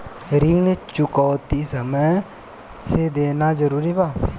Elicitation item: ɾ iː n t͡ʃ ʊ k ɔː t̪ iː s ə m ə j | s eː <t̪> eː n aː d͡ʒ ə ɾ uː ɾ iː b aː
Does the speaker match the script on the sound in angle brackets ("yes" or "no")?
no